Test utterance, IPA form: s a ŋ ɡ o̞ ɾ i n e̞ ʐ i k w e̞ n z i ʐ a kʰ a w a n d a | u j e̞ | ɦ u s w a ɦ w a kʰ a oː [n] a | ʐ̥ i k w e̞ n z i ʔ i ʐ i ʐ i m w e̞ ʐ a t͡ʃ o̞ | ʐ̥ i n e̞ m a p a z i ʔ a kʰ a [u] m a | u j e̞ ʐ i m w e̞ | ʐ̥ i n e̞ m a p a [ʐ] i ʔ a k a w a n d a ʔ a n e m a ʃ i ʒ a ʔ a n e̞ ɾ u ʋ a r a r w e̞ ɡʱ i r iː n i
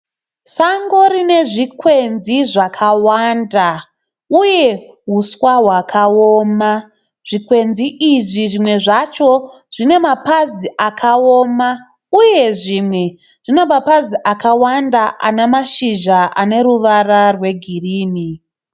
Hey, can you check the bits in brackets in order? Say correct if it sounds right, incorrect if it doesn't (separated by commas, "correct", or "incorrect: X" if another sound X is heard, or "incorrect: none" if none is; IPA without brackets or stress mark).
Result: incorrect: m, incorrect: o, incorrect: z